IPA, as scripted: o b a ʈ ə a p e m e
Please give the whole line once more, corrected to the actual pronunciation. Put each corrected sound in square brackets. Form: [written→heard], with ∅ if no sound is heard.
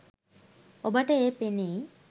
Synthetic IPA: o b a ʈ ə [a→e] p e [m→n] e